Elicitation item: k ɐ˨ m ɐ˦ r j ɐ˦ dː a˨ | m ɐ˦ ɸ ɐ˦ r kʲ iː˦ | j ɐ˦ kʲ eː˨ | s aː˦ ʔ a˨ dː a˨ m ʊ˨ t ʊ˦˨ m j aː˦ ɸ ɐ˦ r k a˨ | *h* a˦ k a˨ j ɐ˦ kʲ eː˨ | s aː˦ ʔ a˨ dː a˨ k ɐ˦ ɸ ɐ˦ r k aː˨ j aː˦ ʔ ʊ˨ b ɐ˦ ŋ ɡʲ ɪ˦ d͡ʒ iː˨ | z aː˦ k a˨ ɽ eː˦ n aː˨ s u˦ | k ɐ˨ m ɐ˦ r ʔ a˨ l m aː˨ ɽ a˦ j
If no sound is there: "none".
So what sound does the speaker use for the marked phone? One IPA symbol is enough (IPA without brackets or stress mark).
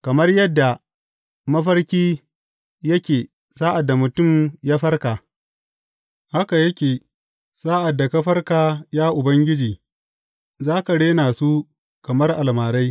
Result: h